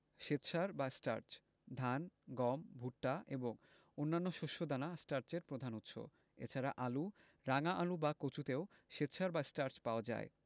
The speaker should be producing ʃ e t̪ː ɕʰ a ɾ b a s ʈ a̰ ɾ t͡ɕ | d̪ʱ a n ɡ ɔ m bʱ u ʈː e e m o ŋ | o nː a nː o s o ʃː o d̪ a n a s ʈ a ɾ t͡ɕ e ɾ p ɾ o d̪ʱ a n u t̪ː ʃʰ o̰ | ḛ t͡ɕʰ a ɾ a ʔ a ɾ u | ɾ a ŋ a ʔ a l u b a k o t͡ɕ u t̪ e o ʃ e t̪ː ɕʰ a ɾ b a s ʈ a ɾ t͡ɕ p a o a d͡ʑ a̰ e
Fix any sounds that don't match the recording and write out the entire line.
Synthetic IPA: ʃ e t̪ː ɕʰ a ɾ b a s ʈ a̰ ɾ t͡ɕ | d̪ʱ a n ɡ ɔ m bʱ u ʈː a e b o ŋ | o nː a nː o ʃ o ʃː o d̪ a n a s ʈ a ɾ t͡ɕ e ɾ p ɾ o d̪ʱ a n u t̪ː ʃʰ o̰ | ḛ t͡ɕʰ a ɾ a ʔ a l u | ɾ a ŋ a ʔ a l u b a k o t͡ɕ u t̪ e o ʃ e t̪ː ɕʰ a ɾ b a s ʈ a ɾ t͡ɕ p a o a d͡ʑ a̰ e